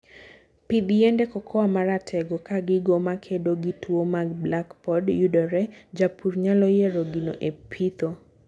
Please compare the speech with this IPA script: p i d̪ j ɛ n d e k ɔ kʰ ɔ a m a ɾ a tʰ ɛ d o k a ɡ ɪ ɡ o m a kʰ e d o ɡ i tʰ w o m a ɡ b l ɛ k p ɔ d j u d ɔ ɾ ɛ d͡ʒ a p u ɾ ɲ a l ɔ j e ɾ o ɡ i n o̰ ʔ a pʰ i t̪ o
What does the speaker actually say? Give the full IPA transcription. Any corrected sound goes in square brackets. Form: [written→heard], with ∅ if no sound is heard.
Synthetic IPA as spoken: p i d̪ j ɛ n d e k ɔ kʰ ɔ a m a ɾ a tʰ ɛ [d→ɡ] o k a ɡ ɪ ɡ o m a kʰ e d o ɡ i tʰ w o m a ɡ b l [ɛ→a] k p ɔ d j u d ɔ ɾ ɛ d͡ʒ a p u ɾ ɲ a l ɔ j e ɾ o ɡ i n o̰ ʔ [a→e] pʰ i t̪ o